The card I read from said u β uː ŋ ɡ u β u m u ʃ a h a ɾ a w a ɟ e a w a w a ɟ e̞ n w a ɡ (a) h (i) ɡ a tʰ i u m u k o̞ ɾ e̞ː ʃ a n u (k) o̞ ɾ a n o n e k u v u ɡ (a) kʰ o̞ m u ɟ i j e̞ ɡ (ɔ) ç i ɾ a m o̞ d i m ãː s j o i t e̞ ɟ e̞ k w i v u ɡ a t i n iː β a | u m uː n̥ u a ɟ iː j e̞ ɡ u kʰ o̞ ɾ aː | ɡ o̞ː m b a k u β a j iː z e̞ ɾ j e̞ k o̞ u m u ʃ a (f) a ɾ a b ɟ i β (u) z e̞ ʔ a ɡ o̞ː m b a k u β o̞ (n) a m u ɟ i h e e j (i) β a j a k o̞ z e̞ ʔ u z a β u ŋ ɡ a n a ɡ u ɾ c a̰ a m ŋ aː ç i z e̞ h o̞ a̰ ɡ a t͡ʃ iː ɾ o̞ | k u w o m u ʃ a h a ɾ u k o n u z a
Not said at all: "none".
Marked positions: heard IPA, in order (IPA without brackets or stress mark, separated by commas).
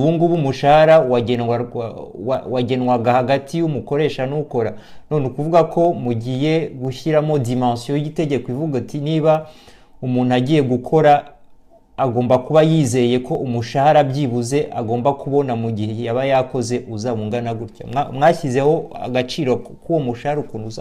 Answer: a, a, k, a, u, h, u, n, a